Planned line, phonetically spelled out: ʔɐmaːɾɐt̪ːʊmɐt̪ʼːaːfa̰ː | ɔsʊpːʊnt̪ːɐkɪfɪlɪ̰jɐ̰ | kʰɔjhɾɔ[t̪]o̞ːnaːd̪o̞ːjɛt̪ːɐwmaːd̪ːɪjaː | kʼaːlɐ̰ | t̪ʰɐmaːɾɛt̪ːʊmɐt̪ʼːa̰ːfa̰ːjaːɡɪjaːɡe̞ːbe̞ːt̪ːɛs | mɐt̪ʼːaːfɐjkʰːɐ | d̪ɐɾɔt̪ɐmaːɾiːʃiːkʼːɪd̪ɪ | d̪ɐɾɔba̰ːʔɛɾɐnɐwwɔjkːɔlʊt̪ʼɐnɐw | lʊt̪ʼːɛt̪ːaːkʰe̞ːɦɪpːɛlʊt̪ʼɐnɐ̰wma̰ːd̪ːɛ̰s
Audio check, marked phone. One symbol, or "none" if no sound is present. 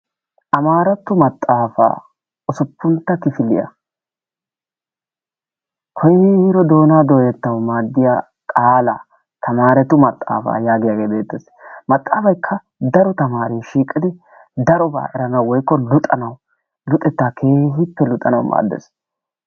d̪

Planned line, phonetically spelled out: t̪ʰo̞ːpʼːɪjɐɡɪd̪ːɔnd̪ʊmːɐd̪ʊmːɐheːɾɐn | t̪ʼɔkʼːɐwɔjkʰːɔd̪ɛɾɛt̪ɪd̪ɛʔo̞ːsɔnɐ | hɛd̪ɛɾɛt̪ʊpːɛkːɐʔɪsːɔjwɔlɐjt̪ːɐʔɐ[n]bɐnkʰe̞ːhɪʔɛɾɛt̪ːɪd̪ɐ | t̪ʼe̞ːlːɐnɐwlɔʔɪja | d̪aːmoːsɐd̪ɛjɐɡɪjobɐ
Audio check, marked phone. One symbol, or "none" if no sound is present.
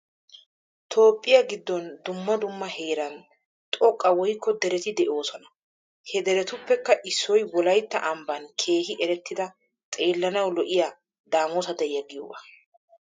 m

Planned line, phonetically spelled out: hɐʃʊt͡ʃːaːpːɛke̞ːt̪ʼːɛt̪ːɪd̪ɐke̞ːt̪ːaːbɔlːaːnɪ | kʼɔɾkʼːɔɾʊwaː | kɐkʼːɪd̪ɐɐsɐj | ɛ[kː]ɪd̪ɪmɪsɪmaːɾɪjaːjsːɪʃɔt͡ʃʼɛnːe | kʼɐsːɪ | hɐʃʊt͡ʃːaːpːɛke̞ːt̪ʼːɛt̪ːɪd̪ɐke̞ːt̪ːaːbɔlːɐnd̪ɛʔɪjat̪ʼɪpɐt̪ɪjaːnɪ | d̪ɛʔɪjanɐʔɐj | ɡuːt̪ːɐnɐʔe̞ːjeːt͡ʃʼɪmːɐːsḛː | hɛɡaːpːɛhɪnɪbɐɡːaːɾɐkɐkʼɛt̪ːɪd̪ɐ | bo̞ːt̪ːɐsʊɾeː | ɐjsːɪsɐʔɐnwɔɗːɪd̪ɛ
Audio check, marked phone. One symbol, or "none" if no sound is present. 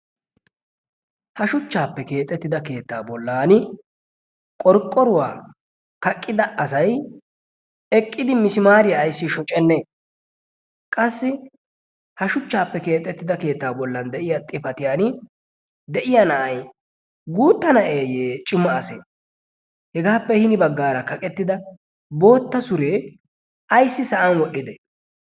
kʼː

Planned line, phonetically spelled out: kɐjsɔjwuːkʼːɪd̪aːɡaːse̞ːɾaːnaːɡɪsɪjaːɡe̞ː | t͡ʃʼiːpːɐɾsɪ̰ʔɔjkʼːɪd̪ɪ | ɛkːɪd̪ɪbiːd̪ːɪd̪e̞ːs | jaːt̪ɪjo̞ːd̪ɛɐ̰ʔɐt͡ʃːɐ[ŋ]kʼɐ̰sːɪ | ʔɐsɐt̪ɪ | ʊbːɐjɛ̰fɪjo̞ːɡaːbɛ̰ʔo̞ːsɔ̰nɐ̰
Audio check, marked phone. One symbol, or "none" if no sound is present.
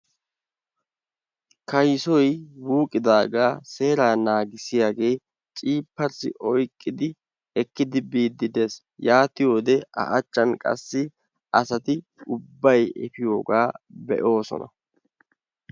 n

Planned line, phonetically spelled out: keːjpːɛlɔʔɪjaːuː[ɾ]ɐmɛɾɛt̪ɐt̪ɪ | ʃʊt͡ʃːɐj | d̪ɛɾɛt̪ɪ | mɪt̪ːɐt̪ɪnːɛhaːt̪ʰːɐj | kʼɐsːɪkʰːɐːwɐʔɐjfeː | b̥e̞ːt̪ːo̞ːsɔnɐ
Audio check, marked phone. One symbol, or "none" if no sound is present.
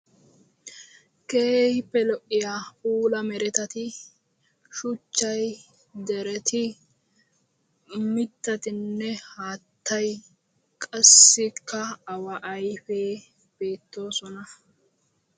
l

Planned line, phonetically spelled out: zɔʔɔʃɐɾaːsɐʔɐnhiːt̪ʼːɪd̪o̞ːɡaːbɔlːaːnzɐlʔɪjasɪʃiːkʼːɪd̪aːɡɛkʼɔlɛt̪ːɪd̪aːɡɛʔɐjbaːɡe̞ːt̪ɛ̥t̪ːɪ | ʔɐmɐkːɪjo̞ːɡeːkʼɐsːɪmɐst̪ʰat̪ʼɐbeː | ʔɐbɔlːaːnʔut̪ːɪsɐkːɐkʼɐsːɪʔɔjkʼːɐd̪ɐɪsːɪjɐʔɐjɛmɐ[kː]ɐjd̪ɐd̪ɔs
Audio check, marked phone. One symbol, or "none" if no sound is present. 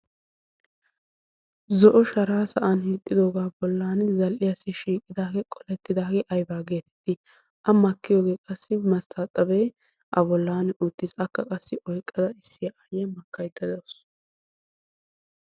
kː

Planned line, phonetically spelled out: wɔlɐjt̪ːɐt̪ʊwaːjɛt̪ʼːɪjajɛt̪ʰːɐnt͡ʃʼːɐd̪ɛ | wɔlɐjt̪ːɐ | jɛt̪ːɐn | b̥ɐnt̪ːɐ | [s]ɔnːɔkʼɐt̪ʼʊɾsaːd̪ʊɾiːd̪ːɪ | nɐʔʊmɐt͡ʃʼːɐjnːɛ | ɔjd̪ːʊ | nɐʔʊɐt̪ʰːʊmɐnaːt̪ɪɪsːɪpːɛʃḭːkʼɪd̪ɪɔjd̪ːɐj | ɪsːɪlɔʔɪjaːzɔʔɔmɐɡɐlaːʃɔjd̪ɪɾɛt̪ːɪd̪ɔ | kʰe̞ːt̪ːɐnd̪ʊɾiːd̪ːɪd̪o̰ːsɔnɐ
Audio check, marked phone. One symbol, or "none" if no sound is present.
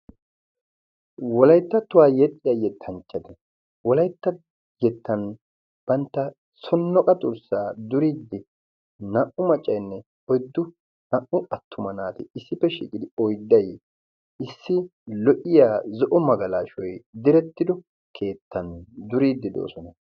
s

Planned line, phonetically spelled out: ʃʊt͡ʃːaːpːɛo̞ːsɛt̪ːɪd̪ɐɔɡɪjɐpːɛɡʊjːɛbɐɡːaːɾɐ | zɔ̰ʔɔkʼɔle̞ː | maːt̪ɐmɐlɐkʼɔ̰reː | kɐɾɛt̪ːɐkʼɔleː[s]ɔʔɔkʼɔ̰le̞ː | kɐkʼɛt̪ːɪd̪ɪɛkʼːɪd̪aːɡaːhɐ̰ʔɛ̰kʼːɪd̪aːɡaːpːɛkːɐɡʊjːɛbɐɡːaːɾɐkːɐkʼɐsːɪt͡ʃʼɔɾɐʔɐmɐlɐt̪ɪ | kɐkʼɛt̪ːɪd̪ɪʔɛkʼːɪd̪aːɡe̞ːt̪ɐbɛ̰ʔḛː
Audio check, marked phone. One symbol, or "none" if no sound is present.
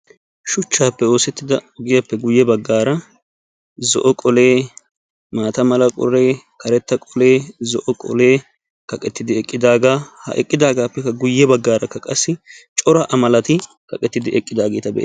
z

